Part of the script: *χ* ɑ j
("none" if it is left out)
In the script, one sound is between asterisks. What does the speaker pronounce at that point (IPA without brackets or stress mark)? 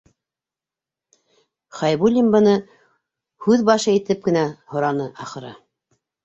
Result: χ